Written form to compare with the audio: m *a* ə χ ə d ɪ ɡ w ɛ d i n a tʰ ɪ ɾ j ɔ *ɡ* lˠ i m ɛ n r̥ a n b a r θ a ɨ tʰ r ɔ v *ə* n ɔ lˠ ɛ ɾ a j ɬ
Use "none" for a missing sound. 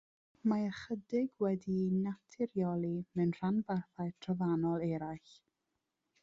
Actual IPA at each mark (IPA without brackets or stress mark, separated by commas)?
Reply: a, none, a